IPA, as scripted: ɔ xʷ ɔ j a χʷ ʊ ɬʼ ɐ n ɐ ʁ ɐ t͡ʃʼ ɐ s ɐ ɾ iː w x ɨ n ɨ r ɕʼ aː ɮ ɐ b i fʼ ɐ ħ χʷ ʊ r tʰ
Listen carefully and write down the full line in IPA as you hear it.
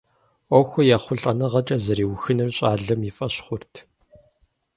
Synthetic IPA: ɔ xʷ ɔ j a χʷ ʊ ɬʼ ɐ n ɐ ʁ ɐ t͡ʃʼ ɐ z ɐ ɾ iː w x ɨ n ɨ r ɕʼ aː ɮ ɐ m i fʼ ɐ ɕ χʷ ʊ r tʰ